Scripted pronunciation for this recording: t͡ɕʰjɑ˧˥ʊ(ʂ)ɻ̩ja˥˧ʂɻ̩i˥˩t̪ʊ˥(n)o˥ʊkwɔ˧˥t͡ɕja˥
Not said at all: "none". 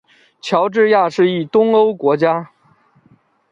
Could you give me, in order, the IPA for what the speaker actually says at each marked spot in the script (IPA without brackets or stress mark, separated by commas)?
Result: ʈ͡ʂ, ŋ